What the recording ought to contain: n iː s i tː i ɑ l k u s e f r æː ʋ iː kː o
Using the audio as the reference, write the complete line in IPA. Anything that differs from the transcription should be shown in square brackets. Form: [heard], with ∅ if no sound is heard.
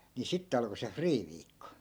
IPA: n [i] s i tː [e] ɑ l k [o] s e f r [iː] ʋ iː kː o